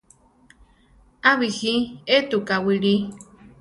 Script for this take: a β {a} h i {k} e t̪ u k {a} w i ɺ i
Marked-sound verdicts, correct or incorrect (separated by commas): incorrect, incorrect, correct